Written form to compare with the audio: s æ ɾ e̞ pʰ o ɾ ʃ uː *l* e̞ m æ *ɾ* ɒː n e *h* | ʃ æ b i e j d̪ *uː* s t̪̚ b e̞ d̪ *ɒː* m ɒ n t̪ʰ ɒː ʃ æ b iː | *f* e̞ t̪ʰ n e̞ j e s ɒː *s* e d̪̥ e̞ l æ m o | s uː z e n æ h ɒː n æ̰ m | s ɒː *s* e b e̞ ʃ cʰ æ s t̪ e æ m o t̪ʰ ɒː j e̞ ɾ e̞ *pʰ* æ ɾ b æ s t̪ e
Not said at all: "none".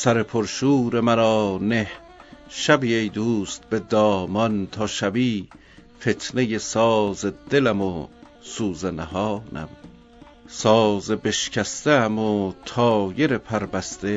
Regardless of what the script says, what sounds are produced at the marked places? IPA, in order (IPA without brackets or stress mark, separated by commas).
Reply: ɾ, ɾ, h, uː, ɒː, f, z, z, pʰ